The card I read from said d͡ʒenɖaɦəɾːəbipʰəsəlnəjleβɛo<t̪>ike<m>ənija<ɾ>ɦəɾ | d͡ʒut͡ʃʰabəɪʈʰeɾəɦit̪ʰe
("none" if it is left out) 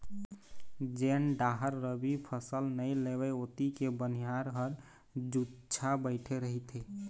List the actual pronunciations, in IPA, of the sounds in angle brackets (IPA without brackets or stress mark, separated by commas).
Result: t̪, b, ɾ